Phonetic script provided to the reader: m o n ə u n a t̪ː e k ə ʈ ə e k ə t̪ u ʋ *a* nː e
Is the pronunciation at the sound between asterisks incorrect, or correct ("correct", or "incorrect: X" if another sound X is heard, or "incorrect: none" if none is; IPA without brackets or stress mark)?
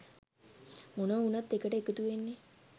incorrect: e